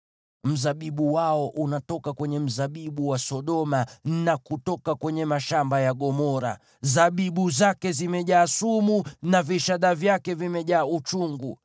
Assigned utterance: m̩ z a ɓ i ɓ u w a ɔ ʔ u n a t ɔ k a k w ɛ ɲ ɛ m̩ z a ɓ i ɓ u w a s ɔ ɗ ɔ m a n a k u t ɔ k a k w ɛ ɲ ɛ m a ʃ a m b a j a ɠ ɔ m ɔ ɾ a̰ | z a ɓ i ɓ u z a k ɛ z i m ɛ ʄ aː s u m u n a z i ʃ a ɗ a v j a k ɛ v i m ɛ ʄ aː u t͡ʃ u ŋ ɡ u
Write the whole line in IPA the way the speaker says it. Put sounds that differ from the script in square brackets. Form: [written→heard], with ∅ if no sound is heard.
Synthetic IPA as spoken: m̩ z a ɓ i ɓ u w a ɔ ʔ u n a t ɔ k a k w ɛ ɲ ɛ m̩ z a ɓ i ɓ u w a s ɔ ɗ ɔ m a n a k u t ɔ k a k w ɛ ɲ ɛ m a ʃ a m b a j a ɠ ɔ m ɔ ɾ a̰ | z a ɓ i ɓ u z a k ɛ z i m ɛ ʄ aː s u m u n a [z→v] i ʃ a ɗ a v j a k ɛ v i m ɛ ʄ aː u t͡ʃ u ŋ ɡ u